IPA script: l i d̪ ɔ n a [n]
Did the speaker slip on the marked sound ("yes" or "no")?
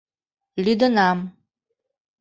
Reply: yes